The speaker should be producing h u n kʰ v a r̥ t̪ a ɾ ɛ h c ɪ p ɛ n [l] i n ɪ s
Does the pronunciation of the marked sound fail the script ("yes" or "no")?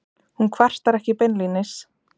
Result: no